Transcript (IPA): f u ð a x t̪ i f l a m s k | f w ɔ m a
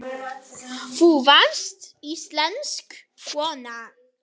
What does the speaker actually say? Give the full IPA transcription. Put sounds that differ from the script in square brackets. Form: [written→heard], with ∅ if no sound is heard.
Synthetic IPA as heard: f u [ð→v] a [x→s] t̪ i [f→s] l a [m→n] s k | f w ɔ [m→n] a